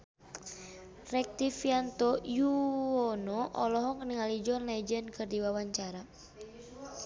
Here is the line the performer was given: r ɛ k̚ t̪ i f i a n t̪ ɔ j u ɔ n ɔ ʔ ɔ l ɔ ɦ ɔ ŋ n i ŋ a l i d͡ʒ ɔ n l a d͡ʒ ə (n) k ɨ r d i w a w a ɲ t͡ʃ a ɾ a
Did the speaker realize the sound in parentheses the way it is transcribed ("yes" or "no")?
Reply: yes